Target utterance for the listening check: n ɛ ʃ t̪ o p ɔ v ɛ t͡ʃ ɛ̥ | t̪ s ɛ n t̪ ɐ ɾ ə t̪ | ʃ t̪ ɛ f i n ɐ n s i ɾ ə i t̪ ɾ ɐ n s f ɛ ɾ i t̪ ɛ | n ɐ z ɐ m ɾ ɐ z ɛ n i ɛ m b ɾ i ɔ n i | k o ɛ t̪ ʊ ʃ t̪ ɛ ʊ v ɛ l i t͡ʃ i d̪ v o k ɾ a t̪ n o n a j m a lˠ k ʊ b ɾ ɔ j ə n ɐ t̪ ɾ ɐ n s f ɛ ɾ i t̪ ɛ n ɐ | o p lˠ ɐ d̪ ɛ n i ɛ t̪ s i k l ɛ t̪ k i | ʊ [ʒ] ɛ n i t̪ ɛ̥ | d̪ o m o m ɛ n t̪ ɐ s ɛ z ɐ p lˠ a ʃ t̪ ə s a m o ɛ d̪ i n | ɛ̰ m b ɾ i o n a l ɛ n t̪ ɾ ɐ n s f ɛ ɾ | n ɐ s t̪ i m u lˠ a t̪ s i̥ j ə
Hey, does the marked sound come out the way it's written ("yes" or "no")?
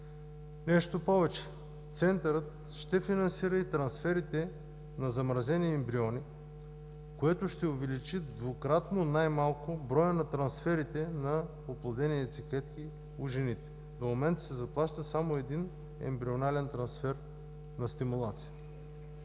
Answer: yes